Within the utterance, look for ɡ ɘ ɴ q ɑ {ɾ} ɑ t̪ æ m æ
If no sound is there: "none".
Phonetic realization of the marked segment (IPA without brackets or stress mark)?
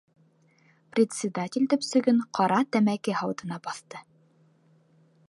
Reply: ɾ